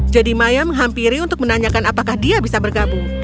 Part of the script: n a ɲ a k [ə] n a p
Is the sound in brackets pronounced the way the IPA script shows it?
no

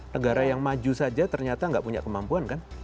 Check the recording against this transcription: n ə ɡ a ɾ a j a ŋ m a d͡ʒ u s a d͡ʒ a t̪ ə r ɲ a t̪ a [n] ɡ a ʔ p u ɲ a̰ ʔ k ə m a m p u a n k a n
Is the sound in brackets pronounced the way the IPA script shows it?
no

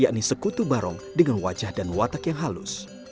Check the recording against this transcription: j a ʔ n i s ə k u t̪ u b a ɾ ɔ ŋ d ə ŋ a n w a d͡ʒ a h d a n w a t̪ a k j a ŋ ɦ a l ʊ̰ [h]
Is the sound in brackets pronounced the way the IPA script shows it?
no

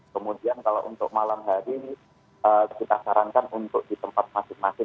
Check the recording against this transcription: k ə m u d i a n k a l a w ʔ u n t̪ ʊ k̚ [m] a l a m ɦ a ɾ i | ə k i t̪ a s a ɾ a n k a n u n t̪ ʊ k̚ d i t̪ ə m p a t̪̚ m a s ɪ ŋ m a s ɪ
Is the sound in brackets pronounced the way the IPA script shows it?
yes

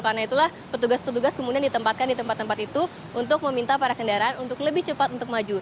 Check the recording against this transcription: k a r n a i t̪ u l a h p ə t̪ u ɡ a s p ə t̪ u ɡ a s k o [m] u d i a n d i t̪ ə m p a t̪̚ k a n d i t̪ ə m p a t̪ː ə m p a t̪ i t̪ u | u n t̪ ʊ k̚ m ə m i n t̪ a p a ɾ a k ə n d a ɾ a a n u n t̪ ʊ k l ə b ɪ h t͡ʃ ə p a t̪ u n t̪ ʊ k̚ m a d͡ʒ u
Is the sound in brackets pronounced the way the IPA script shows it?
yes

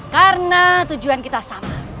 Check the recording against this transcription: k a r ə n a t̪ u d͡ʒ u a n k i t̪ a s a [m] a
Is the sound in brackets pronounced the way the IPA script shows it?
yes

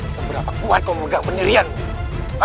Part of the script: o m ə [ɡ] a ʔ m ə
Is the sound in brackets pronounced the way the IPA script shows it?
yes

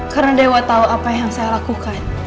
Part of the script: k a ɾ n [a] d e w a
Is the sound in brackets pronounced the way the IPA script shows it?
yes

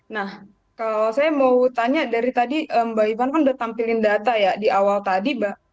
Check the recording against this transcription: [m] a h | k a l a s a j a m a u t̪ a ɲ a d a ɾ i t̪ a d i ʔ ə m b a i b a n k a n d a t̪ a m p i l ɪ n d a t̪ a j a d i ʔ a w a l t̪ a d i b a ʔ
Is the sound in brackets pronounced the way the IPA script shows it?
no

